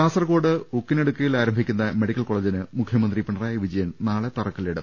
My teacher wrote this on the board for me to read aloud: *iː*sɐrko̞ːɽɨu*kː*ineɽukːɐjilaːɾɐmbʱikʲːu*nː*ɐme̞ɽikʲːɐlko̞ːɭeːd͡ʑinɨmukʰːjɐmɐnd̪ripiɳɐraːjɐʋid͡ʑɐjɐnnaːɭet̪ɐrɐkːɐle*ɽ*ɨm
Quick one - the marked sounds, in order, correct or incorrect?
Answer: incorrect: aː, correct, correct, correct

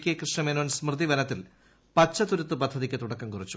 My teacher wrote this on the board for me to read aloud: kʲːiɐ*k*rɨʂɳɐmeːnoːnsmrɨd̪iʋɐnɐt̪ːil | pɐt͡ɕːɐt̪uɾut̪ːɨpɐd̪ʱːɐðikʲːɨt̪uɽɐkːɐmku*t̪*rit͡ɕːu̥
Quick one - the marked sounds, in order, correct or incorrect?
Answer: correct, incorrect: none

